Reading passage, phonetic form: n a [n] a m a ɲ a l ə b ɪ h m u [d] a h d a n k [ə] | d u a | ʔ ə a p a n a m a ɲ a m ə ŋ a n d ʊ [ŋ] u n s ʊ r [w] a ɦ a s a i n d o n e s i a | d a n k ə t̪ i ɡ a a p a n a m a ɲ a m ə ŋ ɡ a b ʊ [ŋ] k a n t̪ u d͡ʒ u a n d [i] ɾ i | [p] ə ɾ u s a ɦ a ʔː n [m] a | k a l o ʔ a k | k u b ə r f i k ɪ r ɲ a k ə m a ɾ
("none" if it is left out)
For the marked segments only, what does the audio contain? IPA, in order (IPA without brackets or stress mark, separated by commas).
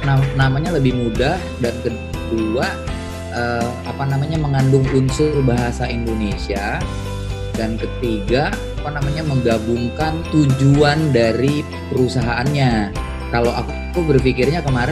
n, d, ə, ŋ, b, ŋ, a, p, ɲ